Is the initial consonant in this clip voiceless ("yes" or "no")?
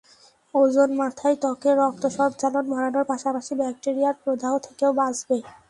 no